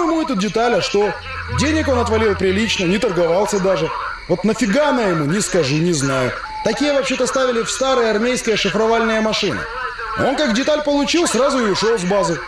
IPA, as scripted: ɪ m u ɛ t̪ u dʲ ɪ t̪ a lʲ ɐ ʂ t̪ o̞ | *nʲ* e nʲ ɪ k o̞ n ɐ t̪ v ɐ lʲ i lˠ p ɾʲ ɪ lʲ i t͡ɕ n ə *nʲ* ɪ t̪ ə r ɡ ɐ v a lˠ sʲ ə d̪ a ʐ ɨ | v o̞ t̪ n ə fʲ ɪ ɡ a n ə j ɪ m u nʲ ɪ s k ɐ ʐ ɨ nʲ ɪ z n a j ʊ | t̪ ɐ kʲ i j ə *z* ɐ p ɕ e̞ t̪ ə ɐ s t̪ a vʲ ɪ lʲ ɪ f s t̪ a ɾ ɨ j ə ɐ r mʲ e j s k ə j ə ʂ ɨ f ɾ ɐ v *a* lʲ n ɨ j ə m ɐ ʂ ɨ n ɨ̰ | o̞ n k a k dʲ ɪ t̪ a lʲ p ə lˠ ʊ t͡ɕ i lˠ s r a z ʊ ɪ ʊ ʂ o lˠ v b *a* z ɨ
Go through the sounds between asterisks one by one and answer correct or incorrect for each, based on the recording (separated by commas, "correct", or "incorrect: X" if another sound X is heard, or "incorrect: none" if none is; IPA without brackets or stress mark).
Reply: incorrect: dʲ, correct, incorrect: v, correct, correct